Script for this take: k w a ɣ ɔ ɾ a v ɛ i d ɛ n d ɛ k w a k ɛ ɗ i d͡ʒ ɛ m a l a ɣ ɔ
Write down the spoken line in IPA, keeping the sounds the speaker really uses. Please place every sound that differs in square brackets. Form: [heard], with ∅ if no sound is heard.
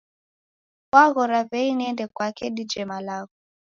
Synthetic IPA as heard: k w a ɣ ɔ ɾ a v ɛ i [n] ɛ n d ɛ k w a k ɛ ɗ i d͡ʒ ɛ m a l a ɣ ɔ